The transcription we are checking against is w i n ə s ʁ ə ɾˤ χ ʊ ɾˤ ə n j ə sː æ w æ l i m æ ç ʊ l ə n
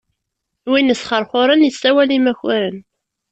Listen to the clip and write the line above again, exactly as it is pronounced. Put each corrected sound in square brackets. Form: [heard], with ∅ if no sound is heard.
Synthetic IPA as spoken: w i n ə s [χ] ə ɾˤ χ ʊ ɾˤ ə n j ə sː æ w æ l i m æ ç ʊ [ɾ] ə n